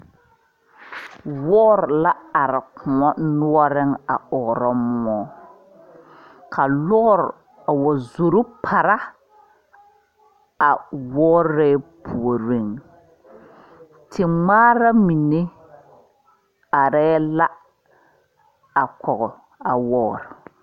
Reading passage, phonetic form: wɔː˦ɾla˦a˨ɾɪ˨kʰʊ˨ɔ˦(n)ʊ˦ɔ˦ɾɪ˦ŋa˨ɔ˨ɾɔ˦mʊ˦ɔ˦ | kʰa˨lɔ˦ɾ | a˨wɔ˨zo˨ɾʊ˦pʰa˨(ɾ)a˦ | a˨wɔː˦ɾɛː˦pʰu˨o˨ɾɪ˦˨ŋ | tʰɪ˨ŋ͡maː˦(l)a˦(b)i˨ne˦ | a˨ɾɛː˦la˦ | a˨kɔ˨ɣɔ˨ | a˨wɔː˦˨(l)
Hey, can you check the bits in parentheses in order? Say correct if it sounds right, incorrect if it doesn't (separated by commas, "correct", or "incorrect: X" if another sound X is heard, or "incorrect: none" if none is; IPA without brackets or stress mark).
correct, correct, incorrect: ɾ, incorrect: m, incorrect: ɾ